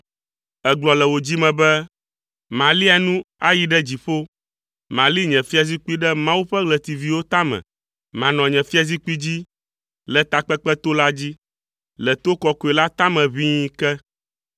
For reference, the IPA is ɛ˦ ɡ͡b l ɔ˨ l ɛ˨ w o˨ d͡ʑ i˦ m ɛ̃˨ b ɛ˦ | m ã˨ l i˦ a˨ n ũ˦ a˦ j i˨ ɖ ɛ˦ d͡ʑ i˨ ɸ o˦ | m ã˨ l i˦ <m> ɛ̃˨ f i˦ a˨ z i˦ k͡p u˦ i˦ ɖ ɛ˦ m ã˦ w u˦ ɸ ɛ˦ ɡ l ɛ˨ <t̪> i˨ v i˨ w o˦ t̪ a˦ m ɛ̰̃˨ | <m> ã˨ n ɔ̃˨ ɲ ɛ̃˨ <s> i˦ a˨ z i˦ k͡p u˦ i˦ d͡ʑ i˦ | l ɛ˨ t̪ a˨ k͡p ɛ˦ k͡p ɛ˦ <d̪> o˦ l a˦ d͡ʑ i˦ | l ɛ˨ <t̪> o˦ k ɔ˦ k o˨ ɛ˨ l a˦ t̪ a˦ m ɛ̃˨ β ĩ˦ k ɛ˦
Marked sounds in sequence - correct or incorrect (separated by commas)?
incorrect, correct, correct, incorrect, incorrect, correct